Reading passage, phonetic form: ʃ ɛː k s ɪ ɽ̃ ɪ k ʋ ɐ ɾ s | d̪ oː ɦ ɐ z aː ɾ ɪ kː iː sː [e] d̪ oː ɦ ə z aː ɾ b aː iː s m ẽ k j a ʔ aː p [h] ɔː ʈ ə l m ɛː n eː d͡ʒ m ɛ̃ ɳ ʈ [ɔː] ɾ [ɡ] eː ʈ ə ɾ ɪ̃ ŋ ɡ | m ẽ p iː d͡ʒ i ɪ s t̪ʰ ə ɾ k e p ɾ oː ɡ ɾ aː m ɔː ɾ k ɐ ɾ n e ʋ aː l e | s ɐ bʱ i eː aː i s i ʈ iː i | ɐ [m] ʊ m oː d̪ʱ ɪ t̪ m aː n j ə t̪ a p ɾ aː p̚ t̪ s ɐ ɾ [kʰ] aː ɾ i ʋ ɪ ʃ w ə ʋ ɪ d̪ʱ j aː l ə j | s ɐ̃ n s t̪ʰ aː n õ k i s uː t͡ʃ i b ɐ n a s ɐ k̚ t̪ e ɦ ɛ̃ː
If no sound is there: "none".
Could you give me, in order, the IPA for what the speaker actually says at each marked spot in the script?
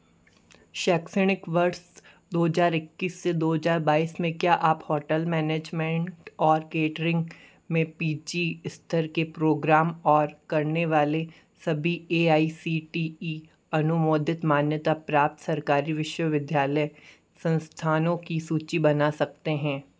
e, h, ɔː, k, n, k

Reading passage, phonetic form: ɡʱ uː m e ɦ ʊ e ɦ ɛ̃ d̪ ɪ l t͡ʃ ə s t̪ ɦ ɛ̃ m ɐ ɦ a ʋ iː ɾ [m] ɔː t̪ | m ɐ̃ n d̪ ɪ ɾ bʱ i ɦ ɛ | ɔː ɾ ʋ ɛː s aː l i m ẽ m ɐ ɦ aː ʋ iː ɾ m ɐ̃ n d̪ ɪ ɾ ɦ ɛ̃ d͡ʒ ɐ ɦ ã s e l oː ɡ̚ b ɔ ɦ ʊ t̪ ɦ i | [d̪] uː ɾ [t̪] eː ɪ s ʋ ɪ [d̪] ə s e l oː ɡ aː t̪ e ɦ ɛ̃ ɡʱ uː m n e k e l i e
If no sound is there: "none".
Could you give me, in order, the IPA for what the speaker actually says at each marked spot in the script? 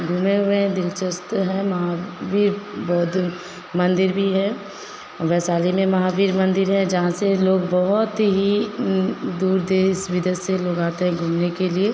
b, d̪, d̪, d̪

